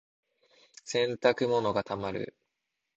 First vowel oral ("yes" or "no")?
no